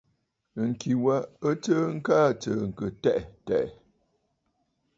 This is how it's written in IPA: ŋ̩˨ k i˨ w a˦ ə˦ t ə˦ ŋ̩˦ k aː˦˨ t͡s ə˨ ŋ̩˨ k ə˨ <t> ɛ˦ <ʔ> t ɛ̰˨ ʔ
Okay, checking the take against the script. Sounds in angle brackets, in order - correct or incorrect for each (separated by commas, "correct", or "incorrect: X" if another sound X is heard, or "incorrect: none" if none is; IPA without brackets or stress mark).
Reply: correct, correct